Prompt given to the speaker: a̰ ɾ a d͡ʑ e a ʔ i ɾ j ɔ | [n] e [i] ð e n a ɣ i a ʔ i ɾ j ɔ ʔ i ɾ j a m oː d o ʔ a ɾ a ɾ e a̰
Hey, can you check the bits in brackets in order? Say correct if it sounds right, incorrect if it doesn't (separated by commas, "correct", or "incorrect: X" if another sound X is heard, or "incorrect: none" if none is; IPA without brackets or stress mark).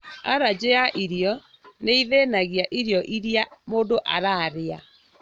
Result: correct, correct